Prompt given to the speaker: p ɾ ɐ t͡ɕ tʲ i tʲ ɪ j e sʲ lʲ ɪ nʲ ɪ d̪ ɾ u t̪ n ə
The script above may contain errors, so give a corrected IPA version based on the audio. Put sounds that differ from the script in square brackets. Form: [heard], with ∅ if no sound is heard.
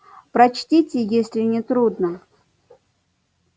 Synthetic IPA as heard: p ɾ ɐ t͡ɕ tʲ i tʲ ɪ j e sʲ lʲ ɪ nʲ ɪ [t̪] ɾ u [d̪] n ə

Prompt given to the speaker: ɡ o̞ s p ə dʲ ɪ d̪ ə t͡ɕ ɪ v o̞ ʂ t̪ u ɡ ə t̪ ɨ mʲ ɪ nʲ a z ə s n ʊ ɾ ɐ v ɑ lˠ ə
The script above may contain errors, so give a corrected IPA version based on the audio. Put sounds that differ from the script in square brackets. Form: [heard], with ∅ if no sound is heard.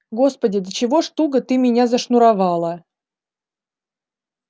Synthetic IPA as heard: ɡ o̞ s p ə dʲ ɪ d̪ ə t͡ɕ ɪ v o̞ ʂ t̪ u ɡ ə t̪ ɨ mʲ ɪ nʲ a z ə [ʂ] n ʊ ɾ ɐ v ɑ lˠ ə

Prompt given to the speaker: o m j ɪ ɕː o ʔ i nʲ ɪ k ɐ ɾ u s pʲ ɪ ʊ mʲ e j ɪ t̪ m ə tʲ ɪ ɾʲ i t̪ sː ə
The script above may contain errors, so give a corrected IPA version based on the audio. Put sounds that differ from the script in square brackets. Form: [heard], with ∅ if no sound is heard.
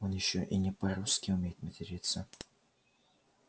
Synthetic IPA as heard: o [n] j ɪ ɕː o ʔ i nʲ ɪ [p] ɐ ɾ u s [kʲ] ɪ ʊ mʲ e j ɪ t̪ m ə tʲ ɪ ɾʲ i t̪ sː ə

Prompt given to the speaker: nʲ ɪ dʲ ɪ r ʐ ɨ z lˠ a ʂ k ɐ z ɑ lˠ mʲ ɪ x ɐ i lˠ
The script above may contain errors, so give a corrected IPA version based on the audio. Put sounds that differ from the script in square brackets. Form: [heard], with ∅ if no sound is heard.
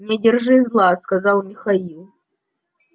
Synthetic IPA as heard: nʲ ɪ dʲ ɪ r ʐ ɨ z lˠ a [s] k ɐ z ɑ lˠ mʲ ɪ x ɐ i lˠ

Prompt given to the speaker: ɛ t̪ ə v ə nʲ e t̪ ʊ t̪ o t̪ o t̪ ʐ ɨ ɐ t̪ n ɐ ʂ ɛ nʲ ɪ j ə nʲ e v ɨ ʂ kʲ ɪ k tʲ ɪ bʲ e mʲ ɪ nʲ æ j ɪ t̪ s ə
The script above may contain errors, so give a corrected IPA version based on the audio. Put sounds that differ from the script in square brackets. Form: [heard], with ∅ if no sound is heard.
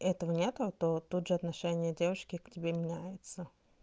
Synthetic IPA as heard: ɛ t̪ ə v ə nʲ e t̪ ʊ t̪ o t̪ [u] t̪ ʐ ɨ ɐ t̪ n ɐ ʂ ɛ nʲ ɪ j ə [dʲ] e v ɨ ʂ kʲ ɪ k tʲ ɪ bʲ e mʲ ɪ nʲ æ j ɪ t̪ s ə

